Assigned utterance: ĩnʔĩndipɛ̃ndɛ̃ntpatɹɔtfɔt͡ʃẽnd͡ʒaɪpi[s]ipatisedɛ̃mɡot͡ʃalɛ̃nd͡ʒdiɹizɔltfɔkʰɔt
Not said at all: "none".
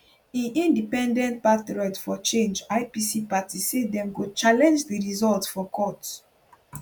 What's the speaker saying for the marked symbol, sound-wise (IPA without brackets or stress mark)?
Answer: s